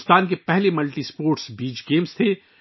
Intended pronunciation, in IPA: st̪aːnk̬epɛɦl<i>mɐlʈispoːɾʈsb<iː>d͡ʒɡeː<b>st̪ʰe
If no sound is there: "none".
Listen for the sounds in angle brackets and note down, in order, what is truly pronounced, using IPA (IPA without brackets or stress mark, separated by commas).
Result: e, iː, m